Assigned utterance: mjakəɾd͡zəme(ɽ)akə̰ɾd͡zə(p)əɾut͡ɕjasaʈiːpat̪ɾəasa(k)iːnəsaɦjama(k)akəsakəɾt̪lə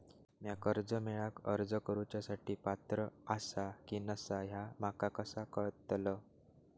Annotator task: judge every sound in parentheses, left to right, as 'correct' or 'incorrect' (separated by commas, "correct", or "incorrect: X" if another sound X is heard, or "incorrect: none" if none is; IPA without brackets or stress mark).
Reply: incorrect: ɭ, incorrect: k, correct, correct